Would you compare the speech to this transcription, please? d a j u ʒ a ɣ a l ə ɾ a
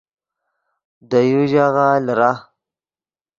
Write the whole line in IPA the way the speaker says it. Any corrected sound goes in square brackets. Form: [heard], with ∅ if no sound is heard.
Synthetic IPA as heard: d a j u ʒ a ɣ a l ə ɾ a